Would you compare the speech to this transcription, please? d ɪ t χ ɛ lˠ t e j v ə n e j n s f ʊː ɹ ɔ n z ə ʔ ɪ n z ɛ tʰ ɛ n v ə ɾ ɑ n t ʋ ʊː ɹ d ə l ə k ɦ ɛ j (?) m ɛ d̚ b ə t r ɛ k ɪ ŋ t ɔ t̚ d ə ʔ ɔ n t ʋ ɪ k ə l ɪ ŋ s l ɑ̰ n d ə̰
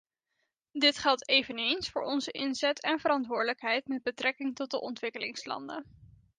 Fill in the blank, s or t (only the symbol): t